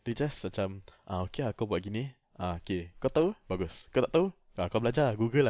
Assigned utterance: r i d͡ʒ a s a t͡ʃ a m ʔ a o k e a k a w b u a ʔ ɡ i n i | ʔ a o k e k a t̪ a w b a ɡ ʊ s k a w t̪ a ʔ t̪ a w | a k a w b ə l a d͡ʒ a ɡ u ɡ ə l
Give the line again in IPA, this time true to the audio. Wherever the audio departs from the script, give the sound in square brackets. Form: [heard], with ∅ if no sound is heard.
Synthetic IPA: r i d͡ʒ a s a t͡ʃ a m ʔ a o k e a k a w b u a ʔ ɡ i n i | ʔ a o k e k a t̪ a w b a ɡ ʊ s k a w t̪ a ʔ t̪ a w | a k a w b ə l a d͡ʒ a ɡ u ɡ ə l